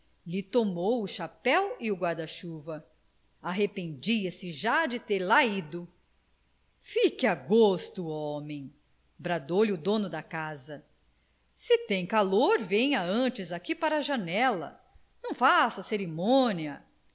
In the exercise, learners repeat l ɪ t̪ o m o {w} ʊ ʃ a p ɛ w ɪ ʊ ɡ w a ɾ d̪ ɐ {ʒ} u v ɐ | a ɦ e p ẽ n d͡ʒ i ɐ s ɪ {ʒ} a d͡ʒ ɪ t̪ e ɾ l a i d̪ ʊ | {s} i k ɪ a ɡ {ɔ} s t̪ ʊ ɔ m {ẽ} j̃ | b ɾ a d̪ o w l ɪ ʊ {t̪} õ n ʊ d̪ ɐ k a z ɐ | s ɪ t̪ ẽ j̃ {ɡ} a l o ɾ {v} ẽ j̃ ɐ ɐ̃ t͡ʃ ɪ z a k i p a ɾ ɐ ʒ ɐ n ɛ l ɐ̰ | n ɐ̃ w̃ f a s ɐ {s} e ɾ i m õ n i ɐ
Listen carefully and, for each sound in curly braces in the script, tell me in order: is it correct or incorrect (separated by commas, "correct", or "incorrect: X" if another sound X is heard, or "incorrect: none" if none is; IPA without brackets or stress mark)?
correct, incorrect: ʃ, correct, incorrect: f, incorrect: o, correct, incorrect: d̪, incorrect: k, correct, correct